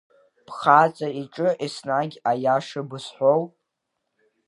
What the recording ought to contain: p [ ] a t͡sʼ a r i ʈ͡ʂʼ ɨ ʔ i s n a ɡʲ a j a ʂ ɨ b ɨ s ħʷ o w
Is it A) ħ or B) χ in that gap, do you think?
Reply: B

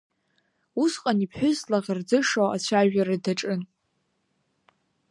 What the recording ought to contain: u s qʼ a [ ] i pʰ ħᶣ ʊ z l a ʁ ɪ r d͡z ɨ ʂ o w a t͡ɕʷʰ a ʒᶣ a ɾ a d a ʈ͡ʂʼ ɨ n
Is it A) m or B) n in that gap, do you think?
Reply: B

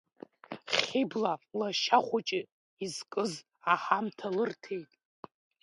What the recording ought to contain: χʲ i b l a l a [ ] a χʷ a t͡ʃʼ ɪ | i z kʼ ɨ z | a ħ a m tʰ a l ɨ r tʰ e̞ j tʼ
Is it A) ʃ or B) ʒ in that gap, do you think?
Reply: A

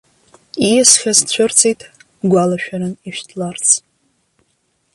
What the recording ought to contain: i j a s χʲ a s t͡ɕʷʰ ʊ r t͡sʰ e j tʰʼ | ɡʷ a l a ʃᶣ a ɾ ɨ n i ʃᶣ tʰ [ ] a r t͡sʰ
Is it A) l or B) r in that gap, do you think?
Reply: A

